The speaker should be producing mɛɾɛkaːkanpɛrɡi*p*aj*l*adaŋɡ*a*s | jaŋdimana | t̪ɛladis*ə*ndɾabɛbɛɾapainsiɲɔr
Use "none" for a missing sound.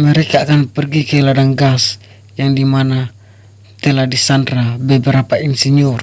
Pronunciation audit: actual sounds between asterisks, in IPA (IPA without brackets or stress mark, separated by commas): k, l, a, a